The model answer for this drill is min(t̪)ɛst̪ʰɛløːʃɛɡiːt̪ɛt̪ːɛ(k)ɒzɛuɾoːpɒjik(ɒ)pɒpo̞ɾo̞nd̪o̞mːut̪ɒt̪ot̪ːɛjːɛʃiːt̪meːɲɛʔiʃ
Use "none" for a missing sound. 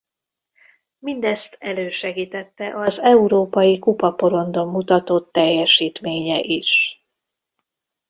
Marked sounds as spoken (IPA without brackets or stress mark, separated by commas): d̪, ʔ, u